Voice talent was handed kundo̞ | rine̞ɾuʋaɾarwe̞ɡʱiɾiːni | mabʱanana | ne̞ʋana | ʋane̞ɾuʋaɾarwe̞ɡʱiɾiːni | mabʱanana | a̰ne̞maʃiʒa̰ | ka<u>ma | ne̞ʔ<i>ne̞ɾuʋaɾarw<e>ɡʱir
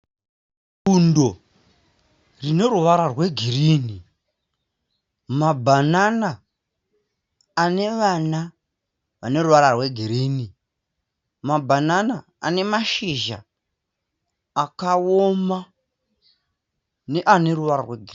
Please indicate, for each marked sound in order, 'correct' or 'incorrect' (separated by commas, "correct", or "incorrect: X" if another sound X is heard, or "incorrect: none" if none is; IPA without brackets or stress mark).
incorrect: o, incorrect: a, correct